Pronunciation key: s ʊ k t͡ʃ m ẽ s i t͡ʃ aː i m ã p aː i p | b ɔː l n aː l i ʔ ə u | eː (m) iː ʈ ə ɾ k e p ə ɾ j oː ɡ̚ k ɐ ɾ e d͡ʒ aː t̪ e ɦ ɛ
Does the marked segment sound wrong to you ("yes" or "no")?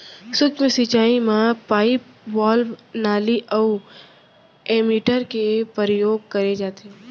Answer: no